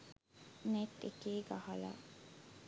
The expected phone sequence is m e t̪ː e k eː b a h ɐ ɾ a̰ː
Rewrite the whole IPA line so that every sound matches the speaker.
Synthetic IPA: n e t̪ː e k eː ɡ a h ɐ l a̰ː